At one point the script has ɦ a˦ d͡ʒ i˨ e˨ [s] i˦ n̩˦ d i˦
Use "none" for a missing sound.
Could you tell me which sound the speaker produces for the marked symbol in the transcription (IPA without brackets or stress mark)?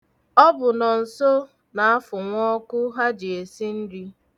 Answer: s